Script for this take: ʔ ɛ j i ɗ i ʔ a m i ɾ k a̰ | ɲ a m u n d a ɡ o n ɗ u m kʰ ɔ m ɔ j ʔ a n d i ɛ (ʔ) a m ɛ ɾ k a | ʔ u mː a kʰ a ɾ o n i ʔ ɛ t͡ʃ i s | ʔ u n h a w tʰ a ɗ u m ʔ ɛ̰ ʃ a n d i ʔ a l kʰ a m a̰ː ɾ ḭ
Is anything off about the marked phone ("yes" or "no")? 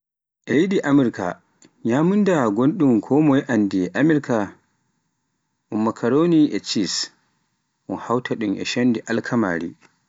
no